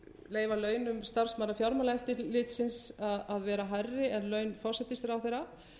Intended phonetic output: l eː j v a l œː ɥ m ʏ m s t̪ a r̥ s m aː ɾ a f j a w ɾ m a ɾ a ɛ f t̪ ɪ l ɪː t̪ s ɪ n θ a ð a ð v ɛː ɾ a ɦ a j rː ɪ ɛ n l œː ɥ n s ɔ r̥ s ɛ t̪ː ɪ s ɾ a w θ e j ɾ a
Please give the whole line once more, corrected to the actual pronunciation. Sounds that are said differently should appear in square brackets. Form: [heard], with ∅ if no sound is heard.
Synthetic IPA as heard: l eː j v a l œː ɥ [n] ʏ m s t̪ a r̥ s m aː ɾ a f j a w ɾ m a [l] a ɛ f t̪ ɪ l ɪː t̪ s ɪ n [s] a ð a ð v ɛː ɾ a ɦ a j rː ɪ ɛ n l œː ɥ n [f] ɔ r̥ s ɛ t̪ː ɪ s ɾ a w θ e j ɾ a